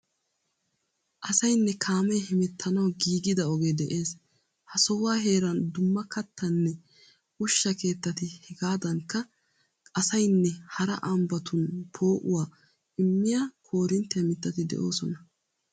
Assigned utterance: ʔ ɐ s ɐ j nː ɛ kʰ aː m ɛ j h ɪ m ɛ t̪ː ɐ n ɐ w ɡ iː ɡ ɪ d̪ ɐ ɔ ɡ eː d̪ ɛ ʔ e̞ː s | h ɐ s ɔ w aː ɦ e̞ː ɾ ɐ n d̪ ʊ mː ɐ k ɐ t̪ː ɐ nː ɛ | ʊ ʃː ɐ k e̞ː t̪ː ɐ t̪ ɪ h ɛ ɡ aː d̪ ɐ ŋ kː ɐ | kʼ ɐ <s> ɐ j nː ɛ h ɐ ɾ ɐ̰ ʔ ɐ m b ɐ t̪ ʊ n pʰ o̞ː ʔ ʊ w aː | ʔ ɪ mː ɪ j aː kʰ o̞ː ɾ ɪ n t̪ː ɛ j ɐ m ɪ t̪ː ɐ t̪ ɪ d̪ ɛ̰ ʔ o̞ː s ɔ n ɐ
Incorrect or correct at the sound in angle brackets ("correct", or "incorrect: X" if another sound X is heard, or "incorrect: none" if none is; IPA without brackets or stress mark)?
correct